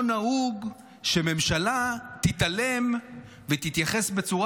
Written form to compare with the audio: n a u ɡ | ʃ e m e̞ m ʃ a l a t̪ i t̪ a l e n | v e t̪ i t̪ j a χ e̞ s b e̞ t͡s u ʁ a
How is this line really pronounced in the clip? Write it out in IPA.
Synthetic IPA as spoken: n a u ɡ | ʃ e m e̞ m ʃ a l a t̪ i t̪ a l e m | v e t̪ i t̪ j a χ e̞ s b e̞ t͡s u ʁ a